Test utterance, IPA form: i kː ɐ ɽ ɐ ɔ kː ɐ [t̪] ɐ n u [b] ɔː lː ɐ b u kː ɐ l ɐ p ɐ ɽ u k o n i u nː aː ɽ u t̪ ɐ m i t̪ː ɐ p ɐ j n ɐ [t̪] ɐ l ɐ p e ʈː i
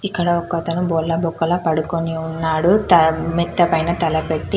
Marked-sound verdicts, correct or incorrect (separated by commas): correct, correct, correct